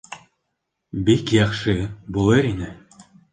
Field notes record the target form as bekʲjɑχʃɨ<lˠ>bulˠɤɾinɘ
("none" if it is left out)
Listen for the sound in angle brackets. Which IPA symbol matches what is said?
none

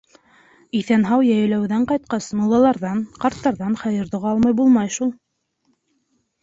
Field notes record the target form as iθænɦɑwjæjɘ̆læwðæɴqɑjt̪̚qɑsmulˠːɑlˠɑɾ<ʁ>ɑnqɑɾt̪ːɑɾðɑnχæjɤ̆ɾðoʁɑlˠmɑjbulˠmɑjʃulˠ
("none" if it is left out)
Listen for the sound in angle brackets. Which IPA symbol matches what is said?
ð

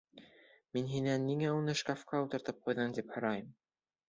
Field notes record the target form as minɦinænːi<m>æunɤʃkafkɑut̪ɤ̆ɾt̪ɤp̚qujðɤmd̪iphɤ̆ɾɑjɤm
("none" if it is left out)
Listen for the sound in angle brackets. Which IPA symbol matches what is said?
ŋ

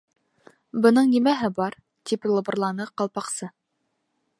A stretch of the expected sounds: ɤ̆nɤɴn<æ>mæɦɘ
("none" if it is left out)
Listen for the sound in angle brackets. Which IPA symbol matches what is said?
i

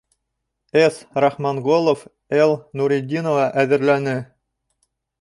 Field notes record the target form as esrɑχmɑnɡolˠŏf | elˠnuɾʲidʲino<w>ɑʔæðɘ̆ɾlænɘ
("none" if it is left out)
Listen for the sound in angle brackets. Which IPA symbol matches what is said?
v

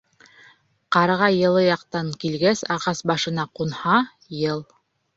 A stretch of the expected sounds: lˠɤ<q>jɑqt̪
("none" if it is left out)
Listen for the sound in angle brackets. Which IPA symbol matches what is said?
none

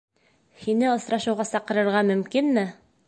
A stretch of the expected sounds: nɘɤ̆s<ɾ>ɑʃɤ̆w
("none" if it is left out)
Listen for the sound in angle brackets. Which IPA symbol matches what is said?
ɾ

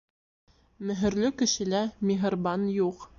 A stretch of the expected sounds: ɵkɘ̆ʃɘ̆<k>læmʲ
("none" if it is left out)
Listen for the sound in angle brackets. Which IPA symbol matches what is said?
none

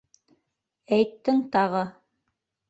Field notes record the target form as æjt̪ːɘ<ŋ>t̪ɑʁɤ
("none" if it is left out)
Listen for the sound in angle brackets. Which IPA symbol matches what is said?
ŋ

